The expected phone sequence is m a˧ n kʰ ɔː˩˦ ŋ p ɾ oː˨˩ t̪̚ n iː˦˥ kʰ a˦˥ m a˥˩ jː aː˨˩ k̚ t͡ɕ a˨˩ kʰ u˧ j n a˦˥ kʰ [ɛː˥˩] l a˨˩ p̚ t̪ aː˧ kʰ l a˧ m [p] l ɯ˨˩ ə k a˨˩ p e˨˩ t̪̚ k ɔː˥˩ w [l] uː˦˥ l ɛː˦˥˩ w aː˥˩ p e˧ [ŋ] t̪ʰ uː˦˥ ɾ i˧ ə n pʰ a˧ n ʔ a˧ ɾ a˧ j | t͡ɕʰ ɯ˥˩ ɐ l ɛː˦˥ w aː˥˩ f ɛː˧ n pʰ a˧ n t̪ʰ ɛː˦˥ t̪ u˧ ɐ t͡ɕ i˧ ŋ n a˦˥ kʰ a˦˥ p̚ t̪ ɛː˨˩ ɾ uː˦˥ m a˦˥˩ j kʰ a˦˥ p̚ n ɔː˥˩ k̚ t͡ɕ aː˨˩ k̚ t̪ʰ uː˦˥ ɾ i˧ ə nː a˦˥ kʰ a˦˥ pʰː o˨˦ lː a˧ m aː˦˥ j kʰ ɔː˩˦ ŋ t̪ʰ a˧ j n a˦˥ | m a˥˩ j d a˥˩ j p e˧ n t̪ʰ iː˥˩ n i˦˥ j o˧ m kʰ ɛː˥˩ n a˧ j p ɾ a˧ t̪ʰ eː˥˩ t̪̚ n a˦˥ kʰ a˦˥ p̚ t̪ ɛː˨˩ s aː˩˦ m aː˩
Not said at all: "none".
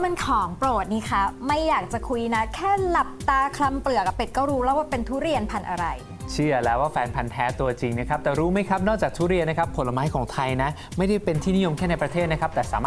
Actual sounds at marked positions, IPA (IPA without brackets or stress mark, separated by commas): ɛː˥˩, p, ɾ, n